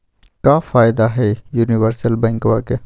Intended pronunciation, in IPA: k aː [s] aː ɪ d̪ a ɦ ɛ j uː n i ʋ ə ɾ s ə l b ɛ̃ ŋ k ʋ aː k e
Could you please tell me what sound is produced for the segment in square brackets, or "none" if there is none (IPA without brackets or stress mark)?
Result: f